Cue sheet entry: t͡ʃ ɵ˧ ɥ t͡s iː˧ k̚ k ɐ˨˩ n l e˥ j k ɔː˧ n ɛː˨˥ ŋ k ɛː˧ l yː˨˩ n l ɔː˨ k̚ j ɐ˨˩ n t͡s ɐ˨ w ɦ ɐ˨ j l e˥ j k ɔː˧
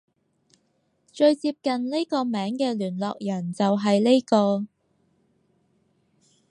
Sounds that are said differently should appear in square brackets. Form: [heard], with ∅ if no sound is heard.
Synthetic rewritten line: t͡ʃ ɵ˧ ɥ t͡s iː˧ [p̚] k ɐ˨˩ n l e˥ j k ɔː˧ [m] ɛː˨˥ ŋ k ɛː˧ l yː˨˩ n l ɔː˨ k̚ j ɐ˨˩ n t͡s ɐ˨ w ɦ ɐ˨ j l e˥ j k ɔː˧